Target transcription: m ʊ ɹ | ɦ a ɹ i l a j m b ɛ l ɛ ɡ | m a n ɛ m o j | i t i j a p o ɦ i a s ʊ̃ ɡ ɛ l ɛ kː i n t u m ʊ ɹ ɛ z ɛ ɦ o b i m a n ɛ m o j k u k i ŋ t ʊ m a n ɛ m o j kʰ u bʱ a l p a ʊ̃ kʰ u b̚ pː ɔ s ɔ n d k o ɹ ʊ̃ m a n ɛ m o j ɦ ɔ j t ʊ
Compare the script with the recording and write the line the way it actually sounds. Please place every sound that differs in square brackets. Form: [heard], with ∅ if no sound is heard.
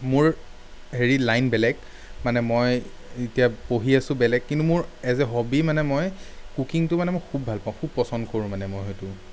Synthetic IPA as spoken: m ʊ ɹ | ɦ [e] ɹ i l a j [n] b ɛ l ɛ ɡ | m a n ɛ m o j | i t i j a p o ɦ i a s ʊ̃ [b] ɛ l ɛ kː i n t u m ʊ ɹ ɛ z ɛ ɦ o b i m a n ɛ m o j k u k i ŋ t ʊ m a n ɛ m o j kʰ u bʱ a l p a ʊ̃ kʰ u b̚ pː ɔ s ɔ n d k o ɹ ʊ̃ m a n ɛ m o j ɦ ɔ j t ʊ